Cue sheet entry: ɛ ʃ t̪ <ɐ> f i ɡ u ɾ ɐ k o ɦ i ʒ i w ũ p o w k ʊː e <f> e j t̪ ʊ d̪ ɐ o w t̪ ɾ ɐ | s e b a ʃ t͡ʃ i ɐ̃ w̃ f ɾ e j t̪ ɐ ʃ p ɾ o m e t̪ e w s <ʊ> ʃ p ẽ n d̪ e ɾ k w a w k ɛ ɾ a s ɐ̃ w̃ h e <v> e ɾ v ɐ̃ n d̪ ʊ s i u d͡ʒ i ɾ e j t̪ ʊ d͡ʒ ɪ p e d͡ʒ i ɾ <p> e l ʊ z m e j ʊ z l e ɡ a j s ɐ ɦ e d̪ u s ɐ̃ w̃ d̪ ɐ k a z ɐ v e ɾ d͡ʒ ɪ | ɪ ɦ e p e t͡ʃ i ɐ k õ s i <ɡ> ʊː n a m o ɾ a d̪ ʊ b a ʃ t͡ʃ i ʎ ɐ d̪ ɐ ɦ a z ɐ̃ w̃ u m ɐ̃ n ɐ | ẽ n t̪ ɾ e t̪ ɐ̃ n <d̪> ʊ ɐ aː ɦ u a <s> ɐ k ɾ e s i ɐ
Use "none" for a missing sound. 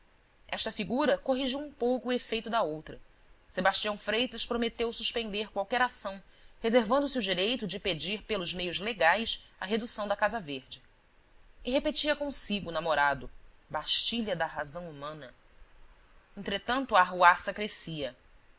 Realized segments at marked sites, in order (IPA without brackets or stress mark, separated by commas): ɐ, f, u, z, p, ɡ, t̪, s